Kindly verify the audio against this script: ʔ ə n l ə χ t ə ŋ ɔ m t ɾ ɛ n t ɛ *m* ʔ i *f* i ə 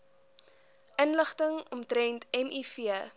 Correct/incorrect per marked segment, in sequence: correct, correct

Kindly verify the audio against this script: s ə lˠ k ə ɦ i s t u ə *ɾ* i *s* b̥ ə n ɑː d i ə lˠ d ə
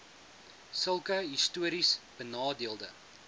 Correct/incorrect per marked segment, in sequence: correct, correct

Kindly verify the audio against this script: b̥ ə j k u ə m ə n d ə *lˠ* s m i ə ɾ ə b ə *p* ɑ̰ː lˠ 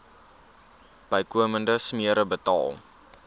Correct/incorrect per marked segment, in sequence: incorrect: none, incorrect: t

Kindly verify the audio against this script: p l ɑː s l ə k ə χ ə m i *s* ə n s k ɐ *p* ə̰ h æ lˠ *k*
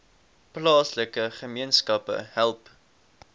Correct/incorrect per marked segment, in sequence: incorrect: none, correct, incorrect: p

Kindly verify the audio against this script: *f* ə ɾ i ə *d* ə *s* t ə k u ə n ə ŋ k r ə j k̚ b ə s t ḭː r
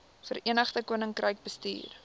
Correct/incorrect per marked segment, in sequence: correct, incorrect: n, incorrect: χ

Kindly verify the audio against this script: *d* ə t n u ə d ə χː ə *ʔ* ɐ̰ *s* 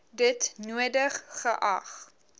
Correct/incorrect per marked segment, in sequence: correct, correct, incorrect: χ

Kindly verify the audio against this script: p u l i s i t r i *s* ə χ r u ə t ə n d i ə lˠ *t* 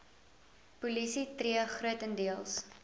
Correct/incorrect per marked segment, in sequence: incorrect: none, incorrect: s

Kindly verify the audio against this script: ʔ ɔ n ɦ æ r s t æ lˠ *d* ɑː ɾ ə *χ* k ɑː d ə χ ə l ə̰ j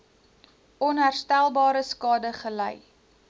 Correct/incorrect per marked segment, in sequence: incorrect: b, incorrect: s

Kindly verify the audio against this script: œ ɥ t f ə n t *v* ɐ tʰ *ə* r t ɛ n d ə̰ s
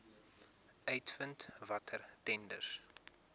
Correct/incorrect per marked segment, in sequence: correct, correct

